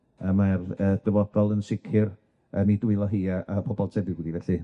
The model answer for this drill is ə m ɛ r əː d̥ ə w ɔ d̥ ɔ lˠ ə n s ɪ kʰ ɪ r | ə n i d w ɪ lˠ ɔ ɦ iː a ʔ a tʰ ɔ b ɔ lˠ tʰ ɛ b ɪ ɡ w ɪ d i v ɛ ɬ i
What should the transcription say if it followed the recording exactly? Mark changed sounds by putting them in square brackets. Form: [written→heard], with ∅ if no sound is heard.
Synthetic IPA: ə m [ɛ→a] r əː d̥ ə [w→v] ɔ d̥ ɔ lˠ ə n s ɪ kʰ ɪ r | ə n i d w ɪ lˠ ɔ ɦ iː a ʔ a [tʰ→pʰ] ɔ b ɔ lˠ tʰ ɛ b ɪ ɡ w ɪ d i v ɛ ɬ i